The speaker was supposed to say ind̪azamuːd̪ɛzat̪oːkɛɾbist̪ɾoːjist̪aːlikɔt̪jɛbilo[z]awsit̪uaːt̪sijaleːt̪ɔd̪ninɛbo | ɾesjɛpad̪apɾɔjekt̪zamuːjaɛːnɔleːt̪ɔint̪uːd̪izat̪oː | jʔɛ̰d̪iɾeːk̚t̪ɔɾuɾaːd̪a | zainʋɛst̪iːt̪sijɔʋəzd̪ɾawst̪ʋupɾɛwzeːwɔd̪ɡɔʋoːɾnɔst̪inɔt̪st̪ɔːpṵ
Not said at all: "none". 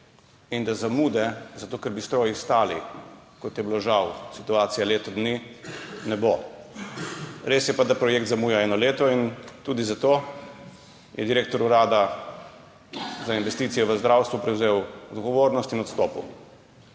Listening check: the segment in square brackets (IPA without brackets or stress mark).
ʒ